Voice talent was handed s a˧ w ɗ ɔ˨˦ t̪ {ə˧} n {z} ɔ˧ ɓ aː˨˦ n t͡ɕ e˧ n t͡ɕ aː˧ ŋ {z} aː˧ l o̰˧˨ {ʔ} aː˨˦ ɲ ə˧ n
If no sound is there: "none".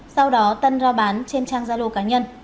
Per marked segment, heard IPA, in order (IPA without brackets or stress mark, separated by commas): ə˧, z, z, k